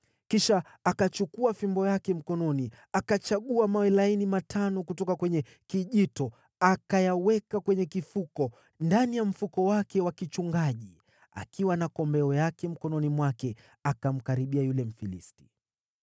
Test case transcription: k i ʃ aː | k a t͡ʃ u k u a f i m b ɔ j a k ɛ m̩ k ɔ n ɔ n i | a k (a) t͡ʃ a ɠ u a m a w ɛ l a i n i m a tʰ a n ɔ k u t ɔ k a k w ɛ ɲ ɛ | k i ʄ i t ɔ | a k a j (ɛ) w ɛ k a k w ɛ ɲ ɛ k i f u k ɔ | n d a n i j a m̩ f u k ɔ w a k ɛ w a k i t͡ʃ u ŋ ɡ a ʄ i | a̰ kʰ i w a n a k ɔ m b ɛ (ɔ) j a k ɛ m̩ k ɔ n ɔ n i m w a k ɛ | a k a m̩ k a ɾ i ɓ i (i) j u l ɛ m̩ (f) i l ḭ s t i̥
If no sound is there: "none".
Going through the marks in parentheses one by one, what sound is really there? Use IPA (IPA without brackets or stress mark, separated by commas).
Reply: a, a, ɔ, a, f